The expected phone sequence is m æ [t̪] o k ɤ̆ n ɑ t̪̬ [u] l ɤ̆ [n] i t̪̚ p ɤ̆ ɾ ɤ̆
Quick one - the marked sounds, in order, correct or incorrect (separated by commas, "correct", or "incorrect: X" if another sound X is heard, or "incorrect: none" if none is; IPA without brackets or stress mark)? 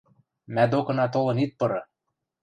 incorrect: d̪, incorrect: o, correct